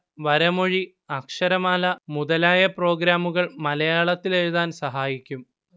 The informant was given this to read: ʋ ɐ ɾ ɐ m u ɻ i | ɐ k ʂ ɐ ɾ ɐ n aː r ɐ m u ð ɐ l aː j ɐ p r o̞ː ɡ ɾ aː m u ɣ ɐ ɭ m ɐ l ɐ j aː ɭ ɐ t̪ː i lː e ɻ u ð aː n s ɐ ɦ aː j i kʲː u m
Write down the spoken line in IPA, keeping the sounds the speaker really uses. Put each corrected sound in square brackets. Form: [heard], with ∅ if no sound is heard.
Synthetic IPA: ʋ ɐ ɾ ɐ m [o] ɻ i | ɐ k ʂ ɐ ɾ ɐ [m] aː [l] ɐ m u ð ɐ l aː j ɐ p r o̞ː ɡ ɾ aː m u ɣ ɐ ɭ m ɐ l ɐ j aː ɭ ɐ t̪ː i [l] e ɻ u ð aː n s ɐ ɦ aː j i kʲː u m